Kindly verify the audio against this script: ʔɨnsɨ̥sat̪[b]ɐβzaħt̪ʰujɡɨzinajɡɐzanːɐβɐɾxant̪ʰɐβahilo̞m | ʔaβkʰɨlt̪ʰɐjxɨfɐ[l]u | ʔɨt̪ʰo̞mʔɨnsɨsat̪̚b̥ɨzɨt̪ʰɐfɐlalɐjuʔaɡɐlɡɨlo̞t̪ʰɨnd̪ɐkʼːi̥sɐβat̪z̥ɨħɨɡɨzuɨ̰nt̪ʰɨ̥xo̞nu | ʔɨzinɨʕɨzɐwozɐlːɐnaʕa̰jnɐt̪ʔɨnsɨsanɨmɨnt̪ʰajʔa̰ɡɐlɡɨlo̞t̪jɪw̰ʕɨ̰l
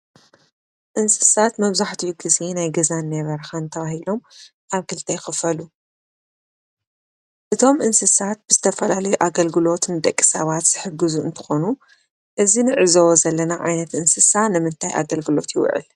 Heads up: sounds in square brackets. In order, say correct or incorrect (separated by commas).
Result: incorrect, correct